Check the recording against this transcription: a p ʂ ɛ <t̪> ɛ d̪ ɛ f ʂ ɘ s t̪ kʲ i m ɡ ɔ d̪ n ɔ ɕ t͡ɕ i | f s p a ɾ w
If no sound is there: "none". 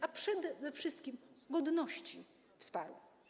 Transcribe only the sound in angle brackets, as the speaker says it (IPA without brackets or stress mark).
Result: d̪